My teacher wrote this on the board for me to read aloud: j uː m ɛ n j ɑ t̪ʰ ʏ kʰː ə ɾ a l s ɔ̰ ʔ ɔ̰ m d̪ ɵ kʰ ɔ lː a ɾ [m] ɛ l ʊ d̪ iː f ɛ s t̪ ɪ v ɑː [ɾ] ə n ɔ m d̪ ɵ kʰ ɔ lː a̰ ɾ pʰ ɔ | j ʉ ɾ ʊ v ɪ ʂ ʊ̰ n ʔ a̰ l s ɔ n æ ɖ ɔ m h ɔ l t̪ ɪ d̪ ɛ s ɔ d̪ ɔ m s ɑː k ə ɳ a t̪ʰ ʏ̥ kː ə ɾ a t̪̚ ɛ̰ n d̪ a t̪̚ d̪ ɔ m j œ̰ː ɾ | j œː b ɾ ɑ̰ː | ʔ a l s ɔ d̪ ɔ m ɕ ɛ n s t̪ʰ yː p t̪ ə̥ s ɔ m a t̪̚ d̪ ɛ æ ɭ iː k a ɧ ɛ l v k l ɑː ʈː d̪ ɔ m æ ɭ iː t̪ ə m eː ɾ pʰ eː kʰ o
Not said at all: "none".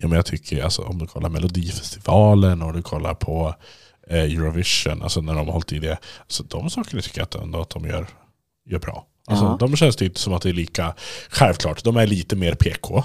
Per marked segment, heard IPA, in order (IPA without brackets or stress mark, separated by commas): m, l